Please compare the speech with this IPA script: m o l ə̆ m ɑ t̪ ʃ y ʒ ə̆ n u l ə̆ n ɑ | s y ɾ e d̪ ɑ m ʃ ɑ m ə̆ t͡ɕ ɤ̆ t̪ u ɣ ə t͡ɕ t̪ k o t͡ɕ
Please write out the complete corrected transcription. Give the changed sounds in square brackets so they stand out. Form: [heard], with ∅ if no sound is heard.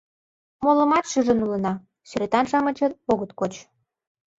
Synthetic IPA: m o l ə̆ m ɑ t̪ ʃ y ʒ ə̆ n u l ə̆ n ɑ | s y ɾ e [t̪] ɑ [n] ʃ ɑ m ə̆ t͡ɕ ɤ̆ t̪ [o] ɣ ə [∅] t̪ k o t͡ɕ